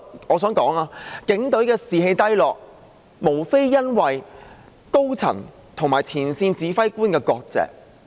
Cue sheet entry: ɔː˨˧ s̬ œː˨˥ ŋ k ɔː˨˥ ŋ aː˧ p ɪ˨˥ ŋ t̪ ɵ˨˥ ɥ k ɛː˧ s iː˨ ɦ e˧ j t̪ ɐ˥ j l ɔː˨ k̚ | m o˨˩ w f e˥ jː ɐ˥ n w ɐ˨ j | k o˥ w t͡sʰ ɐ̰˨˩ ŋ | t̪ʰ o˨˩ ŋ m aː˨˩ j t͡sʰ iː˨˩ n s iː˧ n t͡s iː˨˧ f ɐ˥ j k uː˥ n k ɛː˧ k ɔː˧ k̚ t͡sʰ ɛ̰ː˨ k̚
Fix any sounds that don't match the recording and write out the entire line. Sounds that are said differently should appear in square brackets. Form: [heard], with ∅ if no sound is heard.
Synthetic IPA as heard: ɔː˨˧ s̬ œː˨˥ ŋ k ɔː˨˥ ŋ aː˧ [k] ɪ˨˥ ŋ t̪ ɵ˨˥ ɥ k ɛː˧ s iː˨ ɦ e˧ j t̪ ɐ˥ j l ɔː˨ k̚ | m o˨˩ w f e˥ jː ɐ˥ n w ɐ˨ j | k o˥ w t͡sʰ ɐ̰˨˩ ŋ | t̪ʰ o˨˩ ŋ m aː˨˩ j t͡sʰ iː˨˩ n s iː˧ n t͡s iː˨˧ f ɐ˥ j k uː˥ n k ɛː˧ k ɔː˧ k̚ [t͡s] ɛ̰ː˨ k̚